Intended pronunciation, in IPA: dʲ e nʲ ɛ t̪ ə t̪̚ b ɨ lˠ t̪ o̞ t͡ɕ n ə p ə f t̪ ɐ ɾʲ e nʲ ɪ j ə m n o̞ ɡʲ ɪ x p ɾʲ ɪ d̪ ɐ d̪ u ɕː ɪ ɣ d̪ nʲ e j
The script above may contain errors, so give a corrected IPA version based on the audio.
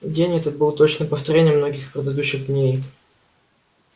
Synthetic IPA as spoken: dʲ e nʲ ɛ t̪ ə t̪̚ b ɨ lˠ t̪ o̞ t͡ɕ n ə p ə f t̪ ɐ ɾʲ e nʲ ɪ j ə m n o̞ ɡʲ ɪ x p ɾʲ ɪ d̪ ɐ d̪ u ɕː ɪ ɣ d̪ nʲ e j